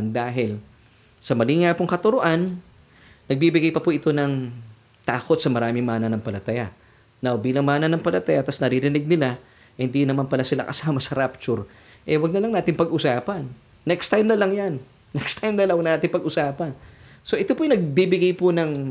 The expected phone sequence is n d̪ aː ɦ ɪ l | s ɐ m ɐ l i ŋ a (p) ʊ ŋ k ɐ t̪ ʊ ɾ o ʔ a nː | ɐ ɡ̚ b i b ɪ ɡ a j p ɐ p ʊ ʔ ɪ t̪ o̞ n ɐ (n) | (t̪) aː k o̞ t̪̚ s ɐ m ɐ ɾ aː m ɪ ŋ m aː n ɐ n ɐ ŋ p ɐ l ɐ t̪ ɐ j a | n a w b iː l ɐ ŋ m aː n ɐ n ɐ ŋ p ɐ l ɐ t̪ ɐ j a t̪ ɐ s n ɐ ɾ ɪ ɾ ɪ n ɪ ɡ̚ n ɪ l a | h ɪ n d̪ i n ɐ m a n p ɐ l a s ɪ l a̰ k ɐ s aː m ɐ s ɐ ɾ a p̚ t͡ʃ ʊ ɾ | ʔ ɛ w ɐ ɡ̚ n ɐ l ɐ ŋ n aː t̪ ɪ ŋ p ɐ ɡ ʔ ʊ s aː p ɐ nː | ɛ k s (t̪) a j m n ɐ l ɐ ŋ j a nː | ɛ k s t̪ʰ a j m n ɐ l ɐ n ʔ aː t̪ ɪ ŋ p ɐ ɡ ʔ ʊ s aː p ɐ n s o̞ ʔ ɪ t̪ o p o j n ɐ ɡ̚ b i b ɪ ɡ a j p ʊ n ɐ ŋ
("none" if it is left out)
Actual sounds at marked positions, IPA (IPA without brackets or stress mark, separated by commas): p, ŋ, t̪, t̪